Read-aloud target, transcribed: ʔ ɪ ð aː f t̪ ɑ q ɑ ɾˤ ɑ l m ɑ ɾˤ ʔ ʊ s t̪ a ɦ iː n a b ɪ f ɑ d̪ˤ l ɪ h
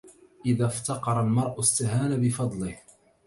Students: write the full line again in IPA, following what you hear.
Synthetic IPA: ʔ ɪ ð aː f t̪ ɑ q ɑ ɾˤ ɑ l m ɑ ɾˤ ʔ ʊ s t̪ a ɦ aː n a b ɪ f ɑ d̪ˤ l ɪ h